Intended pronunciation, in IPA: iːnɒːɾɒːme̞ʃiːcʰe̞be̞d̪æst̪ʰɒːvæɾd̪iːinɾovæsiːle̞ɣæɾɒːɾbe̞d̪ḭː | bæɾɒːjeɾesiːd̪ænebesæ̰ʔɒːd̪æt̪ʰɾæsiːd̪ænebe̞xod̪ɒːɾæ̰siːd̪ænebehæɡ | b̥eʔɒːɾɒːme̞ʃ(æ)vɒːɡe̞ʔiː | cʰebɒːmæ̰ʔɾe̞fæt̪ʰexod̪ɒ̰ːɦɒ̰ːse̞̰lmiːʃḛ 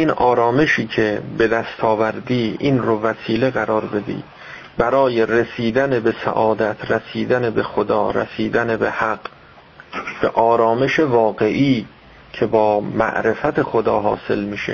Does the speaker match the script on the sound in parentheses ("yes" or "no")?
no